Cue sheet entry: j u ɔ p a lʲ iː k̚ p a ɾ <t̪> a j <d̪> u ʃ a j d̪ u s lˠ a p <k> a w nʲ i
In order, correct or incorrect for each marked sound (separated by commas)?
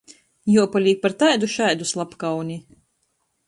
correct, correct, correct